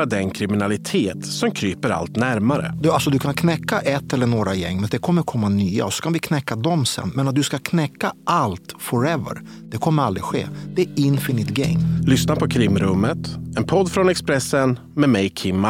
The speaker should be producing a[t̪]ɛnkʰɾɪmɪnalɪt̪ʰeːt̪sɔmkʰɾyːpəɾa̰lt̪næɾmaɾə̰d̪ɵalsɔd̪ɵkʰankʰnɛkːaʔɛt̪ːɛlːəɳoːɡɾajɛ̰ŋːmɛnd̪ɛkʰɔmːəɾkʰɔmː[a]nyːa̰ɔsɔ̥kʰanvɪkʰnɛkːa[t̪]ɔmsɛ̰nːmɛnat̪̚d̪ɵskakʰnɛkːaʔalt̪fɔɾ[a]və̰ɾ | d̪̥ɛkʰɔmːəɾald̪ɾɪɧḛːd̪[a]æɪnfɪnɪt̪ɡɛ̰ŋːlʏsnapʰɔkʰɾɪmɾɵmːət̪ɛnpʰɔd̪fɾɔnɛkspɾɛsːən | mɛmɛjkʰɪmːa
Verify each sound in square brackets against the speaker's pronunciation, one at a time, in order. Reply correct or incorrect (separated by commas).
incorrect, correct, incorrect, incorrect, incorrect